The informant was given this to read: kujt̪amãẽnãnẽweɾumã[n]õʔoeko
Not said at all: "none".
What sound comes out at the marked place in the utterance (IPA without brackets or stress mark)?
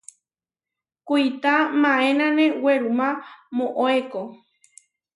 m